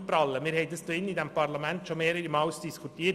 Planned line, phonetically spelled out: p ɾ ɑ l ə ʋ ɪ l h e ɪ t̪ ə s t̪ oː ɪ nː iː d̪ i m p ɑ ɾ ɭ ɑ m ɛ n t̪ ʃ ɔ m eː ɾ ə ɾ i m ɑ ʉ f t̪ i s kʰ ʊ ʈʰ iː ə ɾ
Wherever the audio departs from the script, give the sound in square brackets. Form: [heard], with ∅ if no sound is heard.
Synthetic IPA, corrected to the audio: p ɾ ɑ l ə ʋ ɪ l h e ɪ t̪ ə s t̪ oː ɪ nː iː d̪ [ɛ] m p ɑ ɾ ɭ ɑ m ɛ n t̪ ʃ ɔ m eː ɾ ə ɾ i m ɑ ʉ [s] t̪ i s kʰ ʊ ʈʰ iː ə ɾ

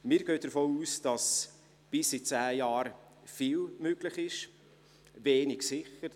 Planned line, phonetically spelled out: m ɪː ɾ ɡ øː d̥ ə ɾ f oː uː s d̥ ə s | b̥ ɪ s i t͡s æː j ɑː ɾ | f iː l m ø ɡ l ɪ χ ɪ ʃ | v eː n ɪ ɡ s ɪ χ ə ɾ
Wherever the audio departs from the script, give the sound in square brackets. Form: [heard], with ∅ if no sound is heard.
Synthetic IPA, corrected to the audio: m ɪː ɾ ɡ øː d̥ ə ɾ f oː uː s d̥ [ɑ] s | b̥ ɪ s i t͡s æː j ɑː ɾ | f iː l m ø ɡ l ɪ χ ɪ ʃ | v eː n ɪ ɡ s ɪ χ ə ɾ

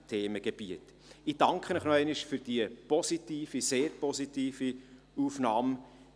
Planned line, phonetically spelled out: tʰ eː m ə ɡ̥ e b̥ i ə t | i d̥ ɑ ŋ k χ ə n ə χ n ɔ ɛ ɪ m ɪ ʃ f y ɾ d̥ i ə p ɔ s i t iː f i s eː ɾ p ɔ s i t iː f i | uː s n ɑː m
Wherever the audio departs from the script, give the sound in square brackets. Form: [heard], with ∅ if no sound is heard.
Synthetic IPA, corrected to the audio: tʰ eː m ə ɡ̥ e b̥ i ə t | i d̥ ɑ ŋ k χ ə n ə χ n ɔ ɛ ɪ [n] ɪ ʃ f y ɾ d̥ i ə p ɔ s i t iː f i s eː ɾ p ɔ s i t iː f i | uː [f] n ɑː m

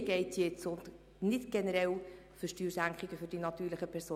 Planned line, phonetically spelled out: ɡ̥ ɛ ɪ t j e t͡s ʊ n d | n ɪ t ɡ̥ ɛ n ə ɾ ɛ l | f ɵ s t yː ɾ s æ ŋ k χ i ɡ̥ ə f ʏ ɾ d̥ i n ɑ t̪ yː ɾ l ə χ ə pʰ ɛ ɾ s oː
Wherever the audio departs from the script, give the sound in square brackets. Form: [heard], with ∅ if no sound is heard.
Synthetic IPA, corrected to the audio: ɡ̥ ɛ ɪ t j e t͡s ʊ n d | n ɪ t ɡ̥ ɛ n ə ɾ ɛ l | f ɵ [ʃ] t yː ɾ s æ ŋ k χ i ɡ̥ ə f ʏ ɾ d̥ i n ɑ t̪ yː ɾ l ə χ ə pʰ ɛ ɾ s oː

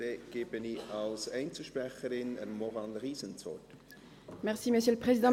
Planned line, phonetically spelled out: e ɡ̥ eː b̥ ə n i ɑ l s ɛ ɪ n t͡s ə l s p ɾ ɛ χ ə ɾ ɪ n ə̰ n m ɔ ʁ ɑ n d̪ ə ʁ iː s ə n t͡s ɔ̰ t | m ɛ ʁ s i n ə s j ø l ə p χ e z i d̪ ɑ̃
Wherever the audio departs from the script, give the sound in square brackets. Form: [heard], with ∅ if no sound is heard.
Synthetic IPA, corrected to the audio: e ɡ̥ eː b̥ ə n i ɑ l s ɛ ɪ n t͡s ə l [ʃ] p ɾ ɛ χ ə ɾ ɪ n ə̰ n m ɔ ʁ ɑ n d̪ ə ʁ iː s ə n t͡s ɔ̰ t | m ɛ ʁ s i [m] ə s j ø l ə p χ e z i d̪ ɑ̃

